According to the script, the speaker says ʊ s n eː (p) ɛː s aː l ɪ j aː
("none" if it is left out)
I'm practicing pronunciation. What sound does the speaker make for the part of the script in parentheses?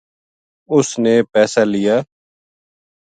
p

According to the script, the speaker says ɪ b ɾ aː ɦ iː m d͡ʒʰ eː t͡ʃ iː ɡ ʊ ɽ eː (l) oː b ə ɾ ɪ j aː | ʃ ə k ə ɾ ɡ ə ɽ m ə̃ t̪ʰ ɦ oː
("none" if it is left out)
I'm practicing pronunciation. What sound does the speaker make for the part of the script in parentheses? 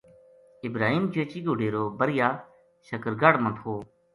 ɾ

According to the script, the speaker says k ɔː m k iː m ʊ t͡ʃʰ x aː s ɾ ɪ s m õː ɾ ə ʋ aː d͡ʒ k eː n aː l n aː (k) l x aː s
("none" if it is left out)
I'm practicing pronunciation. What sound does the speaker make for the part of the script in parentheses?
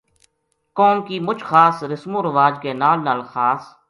none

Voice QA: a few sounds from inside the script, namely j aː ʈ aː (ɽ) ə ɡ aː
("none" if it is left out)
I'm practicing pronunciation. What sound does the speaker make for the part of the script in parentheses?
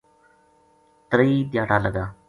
l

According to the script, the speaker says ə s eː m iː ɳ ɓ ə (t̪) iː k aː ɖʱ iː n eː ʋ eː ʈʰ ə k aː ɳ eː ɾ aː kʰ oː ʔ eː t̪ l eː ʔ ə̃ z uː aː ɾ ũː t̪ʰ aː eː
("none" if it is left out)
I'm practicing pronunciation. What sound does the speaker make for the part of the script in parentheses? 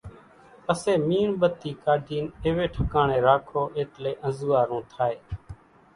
t̪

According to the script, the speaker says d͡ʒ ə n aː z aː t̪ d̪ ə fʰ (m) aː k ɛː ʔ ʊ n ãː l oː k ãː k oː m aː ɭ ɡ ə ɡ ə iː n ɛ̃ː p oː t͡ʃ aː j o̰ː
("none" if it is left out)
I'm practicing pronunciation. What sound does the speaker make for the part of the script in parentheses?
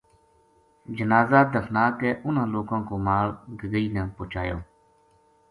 n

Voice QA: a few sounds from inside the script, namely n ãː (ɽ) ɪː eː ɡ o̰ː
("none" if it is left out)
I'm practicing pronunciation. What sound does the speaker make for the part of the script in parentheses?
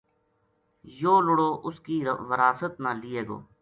l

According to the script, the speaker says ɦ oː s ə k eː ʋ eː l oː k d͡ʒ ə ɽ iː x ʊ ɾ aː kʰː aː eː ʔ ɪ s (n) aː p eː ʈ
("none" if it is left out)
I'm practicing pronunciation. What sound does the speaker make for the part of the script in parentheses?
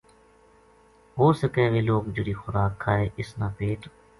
n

